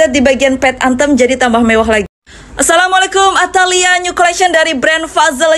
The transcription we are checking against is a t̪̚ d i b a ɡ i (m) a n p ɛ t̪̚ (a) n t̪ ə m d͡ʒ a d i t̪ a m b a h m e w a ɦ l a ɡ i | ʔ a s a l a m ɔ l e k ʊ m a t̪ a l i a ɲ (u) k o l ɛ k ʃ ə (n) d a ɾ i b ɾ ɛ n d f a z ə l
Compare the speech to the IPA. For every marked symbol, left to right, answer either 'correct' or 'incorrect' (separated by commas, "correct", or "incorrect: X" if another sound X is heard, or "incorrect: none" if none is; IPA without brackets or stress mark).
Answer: incorrect: none, correct, correct, correct